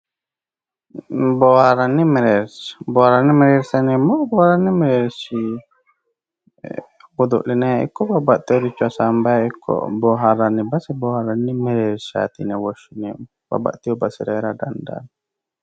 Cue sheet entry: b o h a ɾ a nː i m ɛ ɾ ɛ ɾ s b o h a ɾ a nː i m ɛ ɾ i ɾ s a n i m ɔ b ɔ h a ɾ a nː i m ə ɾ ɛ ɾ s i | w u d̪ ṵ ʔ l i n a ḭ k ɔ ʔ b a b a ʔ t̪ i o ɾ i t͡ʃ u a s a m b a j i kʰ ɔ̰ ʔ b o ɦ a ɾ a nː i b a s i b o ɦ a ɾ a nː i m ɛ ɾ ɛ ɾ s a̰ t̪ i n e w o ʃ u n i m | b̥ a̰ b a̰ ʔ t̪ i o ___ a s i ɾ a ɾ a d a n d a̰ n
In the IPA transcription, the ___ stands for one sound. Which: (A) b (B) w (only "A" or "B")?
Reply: A